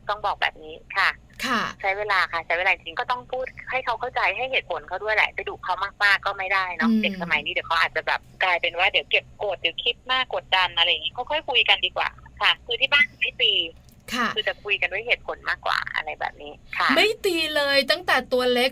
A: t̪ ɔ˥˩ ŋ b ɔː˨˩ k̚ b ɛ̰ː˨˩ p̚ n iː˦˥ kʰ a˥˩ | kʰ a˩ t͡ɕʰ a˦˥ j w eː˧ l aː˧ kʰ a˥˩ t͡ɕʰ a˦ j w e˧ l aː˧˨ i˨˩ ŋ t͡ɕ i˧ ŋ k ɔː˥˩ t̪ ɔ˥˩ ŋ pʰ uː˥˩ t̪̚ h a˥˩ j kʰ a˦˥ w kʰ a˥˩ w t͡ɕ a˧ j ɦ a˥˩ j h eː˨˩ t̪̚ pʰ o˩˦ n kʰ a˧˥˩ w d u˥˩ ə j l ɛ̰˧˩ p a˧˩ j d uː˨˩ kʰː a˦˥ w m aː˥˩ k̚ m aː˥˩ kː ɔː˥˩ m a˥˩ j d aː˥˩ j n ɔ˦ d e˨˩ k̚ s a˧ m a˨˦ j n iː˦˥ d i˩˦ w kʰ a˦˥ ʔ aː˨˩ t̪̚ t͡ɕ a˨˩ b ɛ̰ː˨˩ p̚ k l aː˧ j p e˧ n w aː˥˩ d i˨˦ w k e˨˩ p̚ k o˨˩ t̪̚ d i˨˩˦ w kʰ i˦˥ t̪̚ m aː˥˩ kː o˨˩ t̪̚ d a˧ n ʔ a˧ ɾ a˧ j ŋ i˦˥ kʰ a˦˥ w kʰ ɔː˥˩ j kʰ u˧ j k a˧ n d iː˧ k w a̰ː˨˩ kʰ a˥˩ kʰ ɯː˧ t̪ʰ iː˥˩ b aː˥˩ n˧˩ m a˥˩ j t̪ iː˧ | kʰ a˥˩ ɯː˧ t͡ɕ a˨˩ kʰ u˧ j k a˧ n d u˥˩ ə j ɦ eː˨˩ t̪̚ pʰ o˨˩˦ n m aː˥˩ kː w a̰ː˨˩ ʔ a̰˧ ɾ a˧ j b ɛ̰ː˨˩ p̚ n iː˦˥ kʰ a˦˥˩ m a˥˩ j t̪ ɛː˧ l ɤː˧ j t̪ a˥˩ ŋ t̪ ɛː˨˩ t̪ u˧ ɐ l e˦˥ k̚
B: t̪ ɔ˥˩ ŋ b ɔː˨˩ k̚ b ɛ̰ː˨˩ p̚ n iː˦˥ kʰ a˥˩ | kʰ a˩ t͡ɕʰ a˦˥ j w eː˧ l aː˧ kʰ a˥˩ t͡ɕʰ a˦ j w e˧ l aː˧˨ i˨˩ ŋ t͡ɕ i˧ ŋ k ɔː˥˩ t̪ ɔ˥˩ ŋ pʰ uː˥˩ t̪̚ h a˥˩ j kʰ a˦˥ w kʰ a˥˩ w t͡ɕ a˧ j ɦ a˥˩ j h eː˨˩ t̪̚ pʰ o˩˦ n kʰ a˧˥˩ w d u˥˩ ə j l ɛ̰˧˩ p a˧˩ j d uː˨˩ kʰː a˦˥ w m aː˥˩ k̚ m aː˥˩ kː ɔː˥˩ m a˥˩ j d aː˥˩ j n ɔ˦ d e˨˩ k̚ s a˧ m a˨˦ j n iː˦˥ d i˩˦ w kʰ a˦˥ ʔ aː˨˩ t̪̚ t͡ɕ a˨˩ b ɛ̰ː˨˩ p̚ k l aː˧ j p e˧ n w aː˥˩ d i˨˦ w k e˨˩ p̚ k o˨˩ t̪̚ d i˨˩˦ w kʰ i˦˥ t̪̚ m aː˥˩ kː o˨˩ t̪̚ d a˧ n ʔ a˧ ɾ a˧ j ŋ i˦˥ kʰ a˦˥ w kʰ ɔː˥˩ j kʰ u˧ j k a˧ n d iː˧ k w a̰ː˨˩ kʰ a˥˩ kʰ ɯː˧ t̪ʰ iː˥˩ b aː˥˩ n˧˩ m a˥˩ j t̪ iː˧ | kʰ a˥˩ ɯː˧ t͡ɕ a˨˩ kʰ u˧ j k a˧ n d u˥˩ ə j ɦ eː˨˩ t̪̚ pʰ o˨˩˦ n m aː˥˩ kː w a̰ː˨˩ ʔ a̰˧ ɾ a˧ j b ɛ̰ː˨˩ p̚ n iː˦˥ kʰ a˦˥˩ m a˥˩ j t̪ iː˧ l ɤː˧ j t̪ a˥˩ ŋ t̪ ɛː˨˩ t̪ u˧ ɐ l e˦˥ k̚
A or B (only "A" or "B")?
B